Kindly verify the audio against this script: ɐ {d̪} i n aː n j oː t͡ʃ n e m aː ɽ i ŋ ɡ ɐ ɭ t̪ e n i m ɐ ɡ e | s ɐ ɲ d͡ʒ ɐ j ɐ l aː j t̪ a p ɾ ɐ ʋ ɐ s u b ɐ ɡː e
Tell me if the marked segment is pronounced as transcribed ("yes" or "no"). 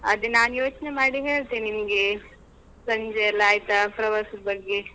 yes